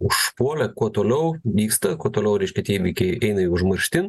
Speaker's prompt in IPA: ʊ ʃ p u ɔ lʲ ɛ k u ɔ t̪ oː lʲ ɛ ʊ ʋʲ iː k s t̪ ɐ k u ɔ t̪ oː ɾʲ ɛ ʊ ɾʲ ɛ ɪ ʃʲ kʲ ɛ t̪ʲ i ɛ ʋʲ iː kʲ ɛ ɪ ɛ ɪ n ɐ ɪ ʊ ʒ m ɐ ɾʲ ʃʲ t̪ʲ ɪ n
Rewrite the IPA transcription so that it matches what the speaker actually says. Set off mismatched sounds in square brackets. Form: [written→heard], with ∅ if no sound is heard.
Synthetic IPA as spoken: ʊ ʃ p u ɔ lʲ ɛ k u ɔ t̪ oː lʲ ɛ ʊ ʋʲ iː k s t̪ ɐ k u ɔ t̪ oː [ɾʲ→lʲ] ɛ ʊ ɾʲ ɛ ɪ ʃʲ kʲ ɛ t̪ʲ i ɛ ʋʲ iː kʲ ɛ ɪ ɛ ɪ n ɐ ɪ ʊ ʒ m ɐ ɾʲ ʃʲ t̪ʲ ɪ n